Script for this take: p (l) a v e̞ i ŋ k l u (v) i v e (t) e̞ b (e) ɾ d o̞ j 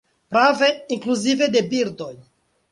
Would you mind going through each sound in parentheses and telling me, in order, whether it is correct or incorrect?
incorrect, incorrect, incorrect, incorrect

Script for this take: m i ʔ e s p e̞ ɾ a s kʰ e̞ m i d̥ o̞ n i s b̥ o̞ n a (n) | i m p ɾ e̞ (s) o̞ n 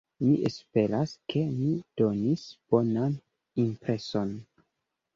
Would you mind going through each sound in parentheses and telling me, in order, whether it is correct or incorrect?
correct, correct

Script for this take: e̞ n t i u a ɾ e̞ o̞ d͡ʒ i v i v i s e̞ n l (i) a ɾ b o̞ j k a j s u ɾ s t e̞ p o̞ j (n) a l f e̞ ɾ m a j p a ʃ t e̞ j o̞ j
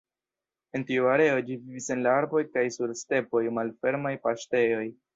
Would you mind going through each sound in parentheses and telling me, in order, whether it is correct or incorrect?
incorrect, incorrect

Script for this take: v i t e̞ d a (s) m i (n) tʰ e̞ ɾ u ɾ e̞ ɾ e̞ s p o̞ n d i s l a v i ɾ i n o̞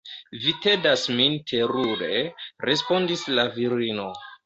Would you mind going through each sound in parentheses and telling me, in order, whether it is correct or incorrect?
correct, correct

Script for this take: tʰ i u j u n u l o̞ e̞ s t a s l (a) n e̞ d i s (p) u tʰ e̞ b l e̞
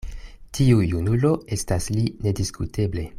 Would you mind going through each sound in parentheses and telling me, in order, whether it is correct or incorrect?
incorrect, incorrect

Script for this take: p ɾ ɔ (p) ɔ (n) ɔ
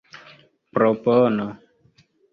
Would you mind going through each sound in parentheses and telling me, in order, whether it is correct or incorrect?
correct, correct

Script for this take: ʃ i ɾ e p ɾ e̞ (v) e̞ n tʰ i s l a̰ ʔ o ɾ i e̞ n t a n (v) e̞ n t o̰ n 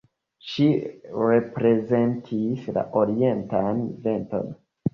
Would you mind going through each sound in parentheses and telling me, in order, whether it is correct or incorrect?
incorrect, correct

